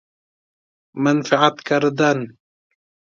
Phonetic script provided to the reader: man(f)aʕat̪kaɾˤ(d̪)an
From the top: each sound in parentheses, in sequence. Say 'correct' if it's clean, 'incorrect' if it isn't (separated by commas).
correct, correct